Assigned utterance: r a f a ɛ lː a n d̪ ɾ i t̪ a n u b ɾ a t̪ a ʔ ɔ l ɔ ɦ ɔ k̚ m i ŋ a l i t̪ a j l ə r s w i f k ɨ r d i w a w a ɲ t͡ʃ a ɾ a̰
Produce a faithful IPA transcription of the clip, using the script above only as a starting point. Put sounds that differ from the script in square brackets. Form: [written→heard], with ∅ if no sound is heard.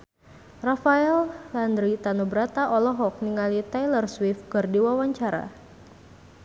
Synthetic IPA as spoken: r a f a ɛ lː a n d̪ ɾ i t̪ a n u b ɾ a t̪ a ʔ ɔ l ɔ ɦ ɔ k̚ [m→n] i ŋ a l i t̪ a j l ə r s w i f k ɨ r d i w a w a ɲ t͡ʃ a ɾ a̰